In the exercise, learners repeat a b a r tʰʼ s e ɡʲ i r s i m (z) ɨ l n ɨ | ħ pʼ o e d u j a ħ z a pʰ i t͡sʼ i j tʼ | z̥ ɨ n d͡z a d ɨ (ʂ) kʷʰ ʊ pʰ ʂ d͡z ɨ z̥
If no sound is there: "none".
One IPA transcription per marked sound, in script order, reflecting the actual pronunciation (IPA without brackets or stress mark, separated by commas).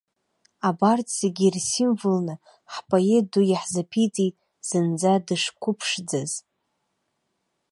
v, ʂ